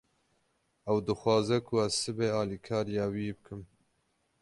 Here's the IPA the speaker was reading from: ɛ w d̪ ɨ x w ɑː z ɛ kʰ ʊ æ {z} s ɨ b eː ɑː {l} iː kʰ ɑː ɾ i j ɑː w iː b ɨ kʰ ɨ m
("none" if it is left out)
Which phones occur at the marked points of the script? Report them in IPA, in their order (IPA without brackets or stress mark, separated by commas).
z, l